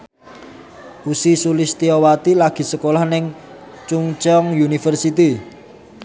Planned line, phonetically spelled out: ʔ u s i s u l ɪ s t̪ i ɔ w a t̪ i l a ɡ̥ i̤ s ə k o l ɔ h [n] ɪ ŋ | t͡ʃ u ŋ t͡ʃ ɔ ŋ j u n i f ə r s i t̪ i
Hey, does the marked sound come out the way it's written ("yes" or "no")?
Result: yes